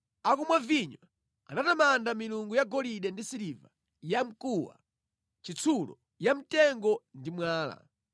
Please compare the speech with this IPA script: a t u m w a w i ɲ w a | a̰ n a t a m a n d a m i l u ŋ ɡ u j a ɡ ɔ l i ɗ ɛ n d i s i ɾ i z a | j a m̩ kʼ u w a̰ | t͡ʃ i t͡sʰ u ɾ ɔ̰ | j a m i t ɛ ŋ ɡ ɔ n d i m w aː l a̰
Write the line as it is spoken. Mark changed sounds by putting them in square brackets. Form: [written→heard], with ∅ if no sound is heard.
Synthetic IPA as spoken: a [t→k] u m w a [w→v] i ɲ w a | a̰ n a t a m a n d a m i l u ŋ ɡ u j a ɡ ɔ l i ɗ ɛ n d i s i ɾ i [z→v] a | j a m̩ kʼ u w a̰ | t͡ʃ i t͡sʰ u [ɾ→l] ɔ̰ | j a m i t ɛ ŋ ɡ ɔ n d i m w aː l a̰